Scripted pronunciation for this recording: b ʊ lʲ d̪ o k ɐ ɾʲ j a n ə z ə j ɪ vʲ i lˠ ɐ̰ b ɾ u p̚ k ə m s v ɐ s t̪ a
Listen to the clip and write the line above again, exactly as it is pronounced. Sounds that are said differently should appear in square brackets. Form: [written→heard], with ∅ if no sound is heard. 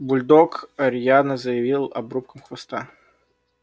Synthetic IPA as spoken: b ʊ lʲ d̪ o k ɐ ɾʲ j a n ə z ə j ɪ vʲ i lˠ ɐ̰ b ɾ u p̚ k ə m [s→x] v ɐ s t̪ a